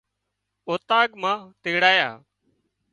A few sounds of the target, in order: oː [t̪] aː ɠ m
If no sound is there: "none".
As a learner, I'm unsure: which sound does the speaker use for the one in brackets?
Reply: t̪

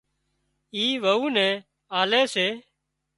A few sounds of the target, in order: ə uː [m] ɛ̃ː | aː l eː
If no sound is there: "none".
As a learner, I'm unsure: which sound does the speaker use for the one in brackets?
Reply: n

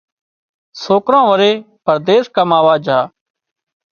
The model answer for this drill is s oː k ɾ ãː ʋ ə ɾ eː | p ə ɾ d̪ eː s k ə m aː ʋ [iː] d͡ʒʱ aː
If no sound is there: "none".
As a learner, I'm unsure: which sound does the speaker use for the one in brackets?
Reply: aː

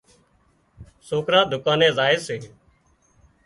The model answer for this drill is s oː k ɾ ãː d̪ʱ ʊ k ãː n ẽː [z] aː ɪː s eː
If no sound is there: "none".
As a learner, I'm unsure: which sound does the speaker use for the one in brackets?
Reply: z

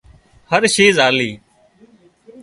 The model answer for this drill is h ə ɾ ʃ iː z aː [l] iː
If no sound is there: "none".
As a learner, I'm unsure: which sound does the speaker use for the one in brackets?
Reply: l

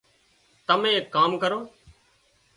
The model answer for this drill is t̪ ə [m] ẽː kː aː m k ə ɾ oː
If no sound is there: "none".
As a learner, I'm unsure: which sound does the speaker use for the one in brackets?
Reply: m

